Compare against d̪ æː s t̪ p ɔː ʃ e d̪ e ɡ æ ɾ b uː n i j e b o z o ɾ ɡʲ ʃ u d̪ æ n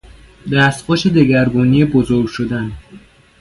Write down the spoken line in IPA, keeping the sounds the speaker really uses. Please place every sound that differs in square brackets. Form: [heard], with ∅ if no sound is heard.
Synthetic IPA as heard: d̪ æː s t̪ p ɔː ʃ e d̪ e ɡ æ ɾ b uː n i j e b o z o ɾ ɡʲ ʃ [o] d̪ æ n